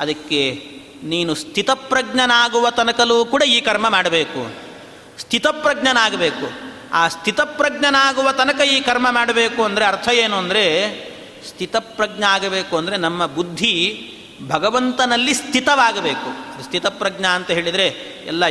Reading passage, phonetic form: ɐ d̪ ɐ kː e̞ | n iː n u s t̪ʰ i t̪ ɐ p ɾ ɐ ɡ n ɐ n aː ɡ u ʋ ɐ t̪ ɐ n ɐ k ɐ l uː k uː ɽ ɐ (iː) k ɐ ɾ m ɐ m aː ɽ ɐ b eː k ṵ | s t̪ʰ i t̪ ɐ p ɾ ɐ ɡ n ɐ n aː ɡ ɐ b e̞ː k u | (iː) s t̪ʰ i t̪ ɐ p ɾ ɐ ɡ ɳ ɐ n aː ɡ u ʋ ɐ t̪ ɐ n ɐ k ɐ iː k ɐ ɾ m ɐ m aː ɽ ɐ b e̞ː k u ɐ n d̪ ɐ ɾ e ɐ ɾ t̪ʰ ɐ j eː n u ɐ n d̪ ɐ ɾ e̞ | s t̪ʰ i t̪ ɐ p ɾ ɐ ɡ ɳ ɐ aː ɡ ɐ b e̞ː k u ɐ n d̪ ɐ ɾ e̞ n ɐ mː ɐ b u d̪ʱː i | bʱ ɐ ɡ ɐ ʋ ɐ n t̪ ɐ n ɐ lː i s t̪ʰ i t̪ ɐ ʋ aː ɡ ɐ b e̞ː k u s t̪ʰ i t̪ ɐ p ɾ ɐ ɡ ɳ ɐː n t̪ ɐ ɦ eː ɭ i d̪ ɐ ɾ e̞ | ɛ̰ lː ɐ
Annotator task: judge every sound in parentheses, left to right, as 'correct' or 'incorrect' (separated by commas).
correct, incorrect